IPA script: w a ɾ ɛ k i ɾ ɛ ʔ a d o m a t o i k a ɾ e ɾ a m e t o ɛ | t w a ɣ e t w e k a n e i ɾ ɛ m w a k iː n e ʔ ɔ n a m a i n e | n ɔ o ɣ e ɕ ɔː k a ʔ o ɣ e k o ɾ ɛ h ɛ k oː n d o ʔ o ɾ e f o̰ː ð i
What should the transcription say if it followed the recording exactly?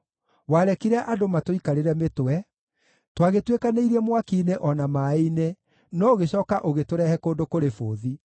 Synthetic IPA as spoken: w a ɾ ɛ k i ɾ ɛ ʔ a d o m a t o i k a ɾ e ɾ ɛ m e t o ɛ | t w a ɣ e t w e k a n e i ɾ ɛ m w a k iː n e ʔ ɔ n a m a i n e | n ɔ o ɣ e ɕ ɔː k a ʔ o ɣ e t o ɾ ɛ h ɛ k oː n d o k o ɾ e f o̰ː ð i